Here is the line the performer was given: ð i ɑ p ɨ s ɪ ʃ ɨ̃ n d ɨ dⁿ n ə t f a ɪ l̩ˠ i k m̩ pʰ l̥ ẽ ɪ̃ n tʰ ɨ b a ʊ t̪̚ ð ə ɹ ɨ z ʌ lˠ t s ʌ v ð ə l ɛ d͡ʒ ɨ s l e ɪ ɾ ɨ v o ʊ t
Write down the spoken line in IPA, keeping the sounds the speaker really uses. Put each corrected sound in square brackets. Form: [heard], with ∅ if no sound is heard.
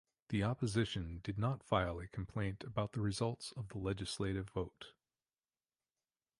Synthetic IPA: ð i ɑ p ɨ [z] ɪ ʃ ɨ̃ n d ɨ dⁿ n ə t f a ɪ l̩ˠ i [kʰ] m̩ pʰ l̥ ẽ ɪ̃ n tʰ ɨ b a ʊ t̪̚ ð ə ɹ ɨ z ʌ lˠ t s ʌ v ð ə l ɛ d͡ʒ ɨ s l e ɪ ɾ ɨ v o ʊ t